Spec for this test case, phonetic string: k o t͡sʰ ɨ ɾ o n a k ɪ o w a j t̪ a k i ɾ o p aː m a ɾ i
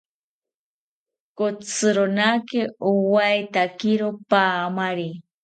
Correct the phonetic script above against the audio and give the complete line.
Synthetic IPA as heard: k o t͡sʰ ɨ ɾ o n a k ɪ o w a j t̪ a k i ɾ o p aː m a ɾ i